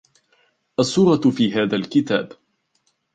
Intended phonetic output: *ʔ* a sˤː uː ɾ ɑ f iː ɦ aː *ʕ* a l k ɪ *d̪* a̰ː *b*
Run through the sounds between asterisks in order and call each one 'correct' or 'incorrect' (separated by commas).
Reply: correct, incorrect, incorrect, correct